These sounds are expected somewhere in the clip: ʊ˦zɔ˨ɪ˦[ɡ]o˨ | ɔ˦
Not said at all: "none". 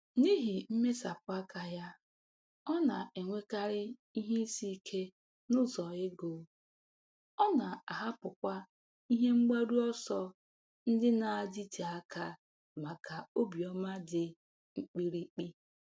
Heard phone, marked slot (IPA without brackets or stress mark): ɡ